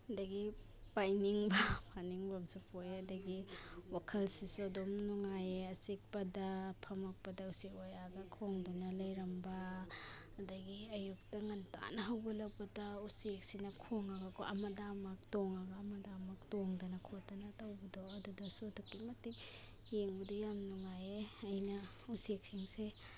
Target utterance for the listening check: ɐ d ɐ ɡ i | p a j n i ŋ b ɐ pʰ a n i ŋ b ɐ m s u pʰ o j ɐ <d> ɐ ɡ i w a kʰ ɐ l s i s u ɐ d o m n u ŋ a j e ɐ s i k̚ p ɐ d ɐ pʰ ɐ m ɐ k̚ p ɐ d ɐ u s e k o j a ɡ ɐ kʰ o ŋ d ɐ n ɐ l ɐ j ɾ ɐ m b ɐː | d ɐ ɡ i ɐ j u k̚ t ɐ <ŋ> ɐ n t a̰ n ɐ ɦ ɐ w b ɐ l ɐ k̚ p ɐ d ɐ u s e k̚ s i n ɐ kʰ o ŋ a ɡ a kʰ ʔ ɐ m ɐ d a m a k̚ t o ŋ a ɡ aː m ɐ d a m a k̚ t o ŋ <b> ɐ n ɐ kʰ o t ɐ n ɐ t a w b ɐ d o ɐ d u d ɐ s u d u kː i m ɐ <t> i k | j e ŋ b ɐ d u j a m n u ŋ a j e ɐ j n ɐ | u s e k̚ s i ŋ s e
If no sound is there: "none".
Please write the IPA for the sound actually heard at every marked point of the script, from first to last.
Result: d, ŋ, d, t

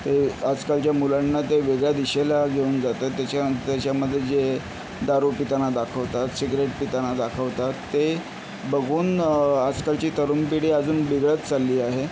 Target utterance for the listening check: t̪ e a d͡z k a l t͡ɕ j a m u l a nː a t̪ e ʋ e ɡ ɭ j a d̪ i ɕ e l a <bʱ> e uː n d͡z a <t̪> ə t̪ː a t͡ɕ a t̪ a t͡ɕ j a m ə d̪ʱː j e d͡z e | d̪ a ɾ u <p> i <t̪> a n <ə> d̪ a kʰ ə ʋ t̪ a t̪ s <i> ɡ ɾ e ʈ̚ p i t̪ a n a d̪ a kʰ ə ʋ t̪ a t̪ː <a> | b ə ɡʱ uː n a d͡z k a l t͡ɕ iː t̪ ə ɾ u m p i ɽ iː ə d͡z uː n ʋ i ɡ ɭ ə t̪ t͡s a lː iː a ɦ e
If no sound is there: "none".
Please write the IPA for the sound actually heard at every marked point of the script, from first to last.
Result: ɡʱ, t̪, p, t̪, a, i, e

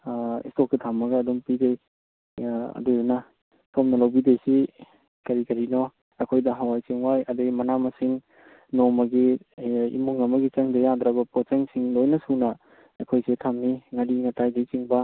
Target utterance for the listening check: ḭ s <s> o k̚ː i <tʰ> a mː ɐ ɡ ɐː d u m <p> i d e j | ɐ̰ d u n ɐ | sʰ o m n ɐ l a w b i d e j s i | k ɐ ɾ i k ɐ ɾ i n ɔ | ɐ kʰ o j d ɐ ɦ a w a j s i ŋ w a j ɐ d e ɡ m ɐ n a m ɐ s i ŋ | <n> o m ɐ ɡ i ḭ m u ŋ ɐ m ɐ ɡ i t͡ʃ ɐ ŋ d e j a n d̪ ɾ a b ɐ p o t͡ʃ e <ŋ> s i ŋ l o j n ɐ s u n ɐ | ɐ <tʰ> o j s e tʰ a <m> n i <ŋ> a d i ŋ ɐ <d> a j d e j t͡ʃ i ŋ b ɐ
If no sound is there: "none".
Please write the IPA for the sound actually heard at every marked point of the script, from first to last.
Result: t, tʰ, p, n, ŋ, kʰ, m, ŋ, t

